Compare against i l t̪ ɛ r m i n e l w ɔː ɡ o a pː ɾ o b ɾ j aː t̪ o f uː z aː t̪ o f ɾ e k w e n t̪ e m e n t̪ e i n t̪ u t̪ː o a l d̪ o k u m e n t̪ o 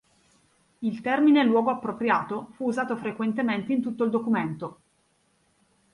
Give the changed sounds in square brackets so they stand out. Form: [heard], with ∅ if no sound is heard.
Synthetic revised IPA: i l t̪ ɛ r m i n e l w ɔː ɡ o a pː ɾ o [p] ɾ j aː t̪ o f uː z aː t̪ o f ɾ e k w e n t̪ e m e n t̪ e i n t̪ u t̪ː o [i] l d̪ o k u m e n t̪ o